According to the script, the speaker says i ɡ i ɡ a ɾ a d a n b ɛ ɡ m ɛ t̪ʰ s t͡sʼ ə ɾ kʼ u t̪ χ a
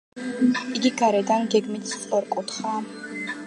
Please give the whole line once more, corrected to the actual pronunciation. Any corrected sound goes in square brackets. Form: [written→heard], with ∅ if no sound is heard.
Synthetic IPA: i ɡ i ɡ a ɾ [a→ɛ] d a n [b→ɡ] ɛ ɡ m [ɛ→i] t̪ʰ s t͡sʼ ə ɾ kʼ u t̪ χ a